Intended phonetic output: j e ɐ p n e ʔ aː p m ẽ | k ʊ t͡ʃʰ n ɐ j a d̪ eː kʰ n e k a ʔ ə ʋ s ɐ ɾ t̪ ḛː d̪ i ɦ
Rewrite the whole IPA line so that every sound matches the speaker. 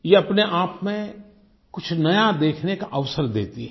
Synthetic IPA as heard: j e ɐ p n e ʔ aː p m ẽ | k ʊ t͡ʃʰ n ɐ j a d̪ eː kʰ n e k a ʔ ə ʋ s ə ɾ d̪ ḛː t̪ i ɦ

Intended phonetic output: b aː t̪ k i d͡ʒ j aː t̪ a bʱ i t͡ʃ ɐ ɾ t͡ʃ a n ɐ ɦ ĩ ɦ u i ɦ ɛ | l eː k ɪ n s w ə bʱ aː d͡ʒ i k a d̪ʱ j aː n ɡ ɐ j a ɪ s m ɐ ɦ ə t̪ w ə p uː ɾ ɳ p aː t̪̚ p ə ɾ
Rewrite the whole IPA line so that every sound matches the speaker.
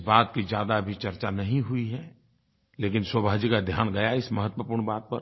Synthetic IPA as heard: b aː t̪ k i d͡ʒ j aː d̪ a bʱ i t͡ʃ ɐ ɾ t͡ʃ a n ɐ ɦ ĩ ɦ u i ɦ ɛ | l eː k ɪ n s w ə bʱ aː d͡ʒ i k a d̪ʱ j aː n ɡ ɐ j a ɪ s m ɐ ɦ ə t̪ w ə p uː ɾ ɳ b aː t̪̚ p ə ɾ

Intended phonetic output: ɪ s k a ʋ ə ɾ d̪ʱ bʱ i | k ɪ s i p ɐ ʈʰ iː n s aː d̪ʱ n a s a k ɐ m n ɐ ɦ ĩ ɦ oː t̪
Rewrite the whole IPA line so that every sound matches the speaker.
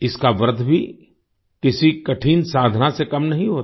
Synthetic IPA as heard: ɪ s k a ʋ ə ɾ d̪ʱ bʱ i | k ɪ s i k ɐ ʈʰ iː n s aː d̪ʱ n a s e k ɐ m n ɐ ɦ ĩ ɦ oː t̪

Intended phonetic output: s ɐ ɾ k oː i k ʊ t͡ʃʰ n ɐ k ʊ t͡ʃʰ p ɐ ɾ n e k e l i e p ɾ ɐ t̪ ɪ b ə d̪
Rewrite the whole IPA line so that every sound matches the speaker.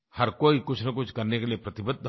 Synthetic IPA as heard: h ɐ ɾ k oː i k ʊ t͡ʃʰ n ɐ k ʊ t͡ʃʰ k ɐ ɾ n e k e l i e p ɾ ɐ t̪ ɪ b ə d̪

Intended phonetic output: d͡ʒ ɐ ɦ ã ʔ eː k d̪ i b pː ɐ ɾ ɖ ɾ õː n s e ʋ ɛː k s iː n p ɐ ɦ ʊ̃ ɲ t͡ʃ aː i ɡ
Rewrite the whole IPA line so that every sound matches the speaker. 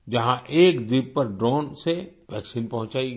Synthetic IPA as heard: d͡ʒ ɐ ɦ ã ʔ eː k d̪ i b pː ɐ ɾ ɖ ɾ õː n s e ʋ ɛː k s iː n p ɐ ɦ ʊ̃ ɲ t͡ʃ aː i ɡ

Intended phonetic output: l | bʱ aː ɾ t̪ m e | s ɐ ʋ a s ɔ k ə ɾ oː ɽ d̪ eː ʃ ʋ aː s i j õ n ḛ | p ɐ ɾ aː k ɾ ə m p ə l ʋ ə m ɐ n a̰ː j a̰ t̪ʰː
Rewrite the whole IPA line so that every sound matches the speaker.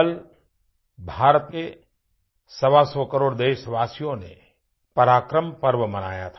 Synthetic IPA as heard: l | bʱ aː ɾ t̪ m e | s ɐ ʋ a s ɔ k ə ɾ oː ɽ d̪ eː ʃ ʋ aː s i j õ n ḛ | p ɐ ɾ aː k ɾ ə m p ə ɾ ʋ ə m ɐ n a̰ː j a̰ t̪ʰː

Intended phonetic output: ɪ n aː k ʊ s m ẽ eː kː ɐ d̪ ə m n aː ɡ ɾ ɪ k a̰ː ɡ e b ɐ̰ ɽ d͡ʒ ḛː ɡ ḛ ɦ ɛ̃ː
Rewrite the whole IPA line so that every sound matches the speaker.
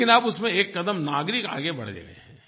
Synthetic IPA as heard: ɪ n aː p ʊ s m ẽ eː kː ɐ d̪ ə m n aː ɡ ɾ ɪ k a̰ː ɡ e b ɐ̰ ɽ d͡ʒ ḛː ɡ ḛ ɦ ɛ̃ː

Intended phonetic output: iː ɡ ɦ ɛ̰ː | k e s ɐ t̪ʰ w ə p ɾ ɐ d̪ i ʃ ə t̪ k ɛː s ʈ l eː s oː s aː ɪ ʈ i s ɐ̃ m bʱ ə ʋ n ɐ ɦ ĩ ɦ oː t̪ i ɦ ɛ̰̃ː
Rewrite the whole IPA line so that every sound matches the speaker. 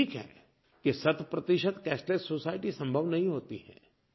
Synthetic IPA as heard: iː k ɦ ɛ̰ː | k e s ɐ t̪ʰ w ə p ɾ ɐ t̪ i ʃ ə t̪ k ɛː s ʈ l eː s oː s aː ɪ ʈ i s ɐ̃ m bʱ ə ʋ n ɐ ɦ ĩ ɦ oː t̪ i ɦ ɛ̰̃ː

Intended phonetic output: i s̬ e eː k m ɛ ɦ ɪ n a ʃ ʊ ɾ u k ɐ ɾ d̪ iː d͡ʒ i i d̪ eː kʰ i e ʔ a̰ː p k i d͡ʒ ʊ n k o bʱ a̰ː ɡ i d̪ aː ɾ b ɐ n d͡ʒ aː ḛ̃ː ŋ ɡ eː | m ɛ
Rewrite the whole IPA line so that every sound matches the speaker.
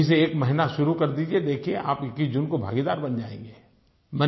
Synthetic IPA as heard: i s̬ e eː k m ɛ ɦ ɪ n a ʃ ʊ ɾ u k ɐ ɾ d̪ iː d͡ʒ i e d̪ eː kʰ i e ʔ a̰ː p k i d͡ʒ ʊ n k o bʱ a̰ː ɡ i d̪ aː ɾ b ɐ n d͡ʒ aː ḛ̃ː ŋ ɡ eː | m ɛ

